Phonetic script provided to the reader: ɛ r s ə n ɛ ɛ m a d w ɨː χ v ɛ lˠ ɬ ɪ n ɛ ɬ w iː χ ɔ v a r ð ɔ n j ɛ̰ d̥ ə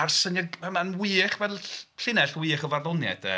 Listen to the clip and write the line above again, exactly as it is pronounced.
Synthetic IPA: a r s ə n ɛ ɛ m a n w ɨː χ v ɛ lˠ ɬ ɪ n ɛ ɬ w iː χ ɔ v a r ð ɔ n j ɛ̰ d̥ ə